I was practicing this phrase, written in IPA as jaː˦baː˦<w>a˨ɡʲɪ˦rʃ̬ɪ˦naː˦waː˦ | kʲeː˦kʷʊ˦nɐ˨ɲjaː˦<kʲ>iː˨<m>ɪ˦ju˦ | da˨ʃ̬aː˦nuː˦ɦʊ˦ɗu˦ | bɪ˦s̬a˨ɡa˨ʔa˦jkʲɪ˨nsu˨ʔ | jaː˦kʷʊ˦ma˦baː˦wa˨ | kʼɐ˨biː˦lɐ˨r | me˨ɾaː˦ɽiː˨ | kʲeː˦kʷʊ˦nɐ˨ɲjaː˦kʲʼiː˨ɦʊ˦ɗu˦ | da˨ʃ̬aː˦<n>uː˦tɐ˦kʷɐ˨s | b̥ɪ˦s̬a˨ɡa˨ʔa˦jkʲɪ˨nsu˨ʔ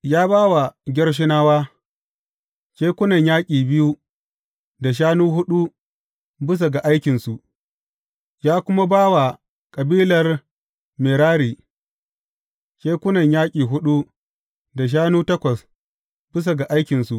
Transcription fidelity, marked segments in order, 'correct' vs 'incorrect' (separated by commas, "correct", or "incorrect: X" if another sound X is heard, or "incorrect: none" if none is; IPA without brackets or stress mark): correct, incorrect: kʲʼ, incorrect: b, correct